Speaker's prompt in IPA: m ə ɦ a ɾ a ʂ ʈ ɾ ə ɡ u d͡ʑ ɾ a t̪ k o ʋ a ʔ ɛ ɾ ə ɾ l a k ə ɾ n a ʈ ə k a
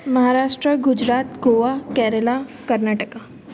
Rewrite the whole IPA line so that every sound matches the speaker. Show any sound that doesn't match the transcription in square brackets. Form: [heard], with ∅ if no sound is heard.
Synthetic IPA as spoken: m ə ɦ a ɾ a ʂ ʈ ɾ ə ɡ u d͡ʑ ɾ a t̪ [ɡ] o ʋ a [k] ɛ ɾ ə [∅] l a k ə ɾ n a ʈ ə k a